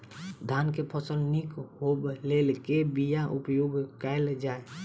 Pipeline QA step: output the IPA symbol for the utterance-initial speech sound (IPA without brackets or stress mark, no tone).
d̪ʱ